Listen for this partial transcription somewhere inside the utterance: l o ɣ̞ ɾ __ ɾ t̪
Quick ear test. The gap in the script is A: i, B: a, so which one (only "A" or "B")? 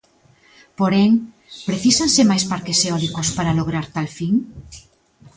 B